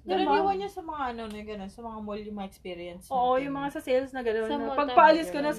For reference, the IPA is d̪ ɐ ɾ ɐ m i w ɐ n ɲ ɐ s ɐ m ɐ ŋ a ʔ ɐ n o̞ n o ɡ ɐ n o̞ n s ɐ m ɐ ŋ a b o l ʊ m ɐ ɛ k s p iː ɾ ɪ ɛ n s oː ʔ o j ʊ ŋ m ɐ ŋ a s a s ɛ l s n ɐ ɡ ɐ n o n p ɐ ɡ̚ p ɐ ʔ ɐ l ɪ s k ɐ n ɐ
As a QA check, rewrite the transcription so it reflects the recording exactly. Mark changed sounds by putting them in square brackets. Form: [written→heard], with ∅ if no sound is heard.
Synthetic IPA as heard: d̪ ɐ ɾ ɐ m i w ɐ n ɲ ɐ s ɐ m ɐ ŋ a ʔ ɐ n o̞ n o ɡ ɐ n o̞ n s ɐ m ɐ ŋ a [b→m] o l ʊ m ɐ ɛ k s p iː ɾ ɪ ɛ n s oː ʔ o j ʊ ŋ m ɐ ŋ a s [a→ɐ] s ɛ l s n ɐ ɡ ɐ n o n p ɐ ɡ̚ p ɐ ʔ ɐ l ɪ s k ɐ n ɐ